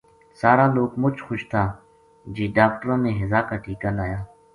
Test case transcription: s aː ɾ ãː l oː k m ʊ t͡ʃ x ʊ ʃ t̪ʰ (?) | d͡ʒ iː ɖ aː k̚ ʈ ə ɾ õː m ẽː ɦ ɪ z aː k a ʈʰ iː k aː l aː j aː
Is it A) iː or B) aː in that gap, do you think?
B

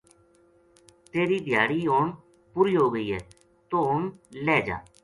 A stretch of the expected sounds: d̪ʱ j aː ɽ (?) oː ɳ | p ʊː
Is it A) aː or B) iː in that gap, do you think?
B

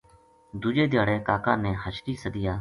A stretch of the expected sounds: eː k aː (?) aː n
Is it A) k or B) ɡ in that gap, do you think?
A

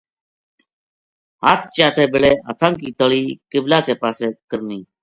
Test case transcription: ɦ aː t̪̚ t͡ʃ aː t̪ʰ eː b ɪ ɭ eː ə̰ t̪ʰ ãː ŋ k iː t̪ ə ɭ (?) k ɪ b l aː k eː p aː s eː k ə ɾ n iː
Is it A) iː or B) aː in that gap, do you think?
A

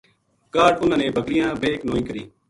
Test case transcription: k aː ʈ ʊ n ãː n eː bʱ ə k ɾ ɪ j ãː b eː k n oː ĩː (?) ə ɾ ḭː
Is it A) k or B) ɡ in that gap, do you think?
A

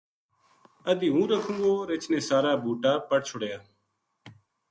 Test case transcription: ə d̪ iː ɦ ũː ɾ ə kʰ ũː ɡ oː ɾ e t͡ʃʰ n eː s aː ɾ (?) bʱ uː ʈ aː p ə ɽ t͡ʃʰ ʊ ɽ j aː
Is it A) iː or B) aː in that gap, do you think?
B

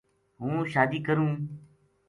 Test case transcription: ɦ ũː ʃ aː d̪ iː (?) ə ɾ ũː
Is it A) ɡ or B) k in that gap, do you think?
B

